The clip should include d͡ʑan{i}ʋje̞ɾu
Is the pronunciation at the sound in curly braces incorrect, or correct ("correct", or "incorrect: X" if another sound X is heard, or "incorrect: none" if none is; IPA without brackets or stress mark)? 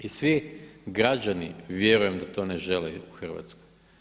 correct